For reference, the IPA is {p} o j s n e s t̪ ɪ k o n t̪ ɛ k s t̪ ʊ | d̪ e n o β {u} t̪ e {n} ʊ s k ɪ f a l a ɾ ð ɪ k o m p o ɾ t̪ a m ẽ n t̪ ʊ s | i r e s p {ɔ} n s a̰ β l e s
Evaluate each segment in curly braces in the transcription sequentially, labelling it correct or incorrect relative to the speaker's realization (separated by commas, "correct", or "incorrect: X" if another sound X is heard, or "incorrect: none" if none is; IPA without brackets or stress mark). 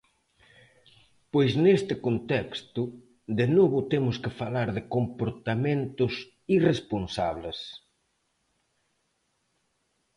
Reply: correct, incorrect: ʊ, incorrect: m, incorrect: o